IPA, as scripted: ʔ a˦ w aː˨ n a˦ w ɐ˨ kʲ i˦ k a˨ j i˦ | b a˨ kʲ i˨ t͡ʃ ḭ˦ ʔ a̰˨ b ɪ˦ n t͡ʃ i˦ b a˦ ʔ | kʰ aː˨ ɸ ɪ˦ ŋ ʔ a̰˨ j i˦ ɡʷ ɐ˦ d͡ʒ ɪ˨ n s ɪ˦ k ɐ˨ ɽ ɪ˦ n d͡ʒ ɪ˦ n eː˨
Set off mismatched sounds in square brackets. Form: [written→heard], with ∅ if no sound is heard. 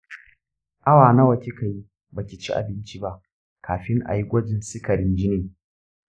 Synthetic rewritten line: ʔ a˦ w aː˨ n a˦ w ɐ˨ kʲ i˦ k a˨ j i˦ | b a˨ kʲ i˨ t͡ʃ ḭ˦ ʔ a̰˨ b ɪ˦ n t͡ʃ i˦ b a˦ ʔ | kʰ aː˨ ɸ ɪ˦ ŋ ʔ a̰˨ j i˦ ɡʷ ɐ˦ d͡ʒ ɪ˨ n s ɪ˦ k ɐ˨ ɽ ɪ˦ n d͡ʒ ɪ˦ n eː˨